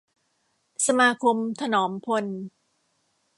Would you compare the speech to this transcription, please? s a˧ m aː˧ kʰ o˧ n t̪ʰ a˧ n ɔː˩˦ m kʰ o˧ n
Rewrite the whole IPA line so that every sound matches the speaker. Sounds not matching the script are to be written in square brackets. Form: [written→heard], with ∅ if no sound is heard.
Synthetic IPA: s a˧ m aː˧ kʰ o˧ [n→m] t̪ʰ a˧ n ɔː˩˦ m [kʰ→pʰ] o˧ n